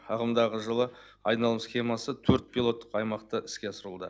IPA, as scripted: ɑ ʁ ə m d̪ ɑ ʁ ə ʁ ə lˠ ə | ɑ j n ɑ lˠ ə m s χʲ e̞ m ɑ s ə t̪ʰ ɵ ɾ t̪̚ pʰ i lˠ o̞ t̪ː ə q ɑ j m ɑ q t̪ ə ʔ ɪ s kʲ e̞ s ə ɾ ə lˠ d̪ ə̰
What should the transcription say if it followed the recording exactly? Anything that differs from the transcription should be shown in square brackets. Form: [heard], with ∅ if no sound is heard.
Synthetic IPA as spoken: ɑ ʁ ə m d̪ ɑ ʁ ə [ʒ] ə lˠ ə | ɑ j n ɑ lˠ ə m s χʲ e̞ m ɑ s ə t̪ʰ ɵ ɾ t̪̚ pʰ i lˠ o̞ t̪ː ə q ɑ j m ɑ q t̪ ə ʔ ɪ s kʲ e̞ s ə ɾ ə lˠ d̪ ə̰

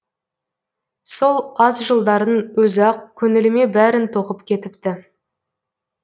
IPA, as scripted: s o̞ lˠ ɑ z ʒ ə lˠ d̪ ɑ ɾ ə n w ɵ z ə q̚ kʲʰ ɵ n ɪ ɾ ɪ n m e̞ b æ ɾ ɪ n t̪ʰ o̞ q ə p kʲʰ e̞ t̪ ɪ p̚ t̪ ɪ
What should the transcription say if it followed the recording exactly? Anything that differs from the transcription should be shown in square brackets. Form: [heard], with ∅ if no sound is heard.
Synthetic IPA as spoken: s o̞ lˠ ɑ z ʒ ə lˠ d̪ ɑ ɾ ə n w ɵ z [ɑ] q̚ kʲʰ ɵ n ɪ [l] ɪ [∅] m e̞ b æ ɾ ɪ n t̪ʰ o̞ q ə p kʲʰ e̞ t̪ ɪ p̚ t̪ ɪ

